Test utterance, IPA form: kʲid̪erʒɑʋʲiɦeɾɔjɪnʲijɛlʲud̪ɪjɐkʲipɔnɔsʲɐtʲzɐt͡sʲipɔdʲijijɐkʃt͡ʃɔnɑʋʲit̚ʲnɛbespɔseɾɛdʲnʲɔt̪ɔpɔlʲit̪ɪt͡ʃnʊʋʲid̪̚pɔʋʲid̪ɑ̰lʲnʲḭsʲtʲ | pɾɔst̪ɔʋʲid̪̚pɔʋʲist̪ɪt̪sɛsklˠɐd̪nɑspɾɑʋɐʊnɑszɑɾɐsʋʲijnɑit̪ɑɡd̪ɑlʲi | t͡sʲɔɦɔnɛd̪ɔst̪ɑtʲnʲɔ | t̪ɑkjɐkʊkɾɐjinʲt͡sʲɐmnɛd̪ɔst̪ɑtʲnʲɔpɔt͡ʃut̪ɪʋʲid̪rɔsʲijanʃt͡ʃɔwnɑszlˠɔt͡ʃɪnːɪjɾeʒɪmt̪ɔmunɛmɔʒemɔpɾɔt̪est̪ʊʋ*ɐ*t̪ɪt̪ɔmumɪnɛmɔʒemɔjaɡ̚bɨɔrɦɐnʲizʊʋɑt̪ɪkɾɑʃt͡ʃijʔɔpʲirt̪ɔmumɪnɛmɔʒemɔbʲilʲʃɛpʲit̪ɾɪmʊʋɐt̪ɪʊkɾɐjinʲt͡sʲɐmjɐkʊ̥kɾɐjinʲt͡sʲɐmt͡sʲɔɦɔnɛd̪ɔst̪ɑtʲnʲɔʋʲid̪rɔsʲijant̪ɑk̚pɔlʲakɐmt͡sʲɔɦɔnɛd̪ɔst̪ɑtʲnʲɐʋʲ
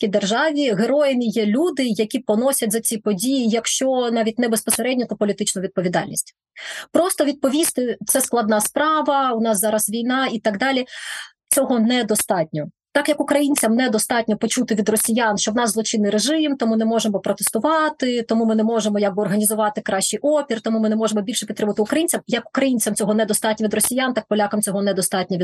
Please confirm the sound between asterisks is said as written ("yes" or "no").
no